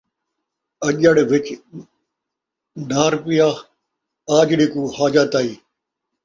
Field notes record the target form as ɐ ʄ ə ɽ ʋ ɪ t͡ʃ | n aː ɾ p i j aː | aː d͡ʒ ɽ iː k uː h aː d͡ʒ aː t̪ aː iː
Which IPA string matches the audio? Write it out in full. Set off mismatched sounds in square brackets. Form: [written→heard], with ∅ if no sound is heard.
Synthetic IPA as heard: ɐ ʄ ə ɽ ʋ ɪ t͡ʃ | n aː ɾ p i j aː | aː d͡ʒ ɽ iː k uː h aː d͡ʒ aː t̪ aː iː